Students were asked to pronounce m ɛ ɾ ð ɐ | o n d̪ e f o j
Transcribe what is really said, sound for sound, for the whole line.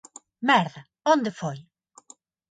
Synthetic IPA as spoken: m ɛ ɾ ð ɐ | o n d̪ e f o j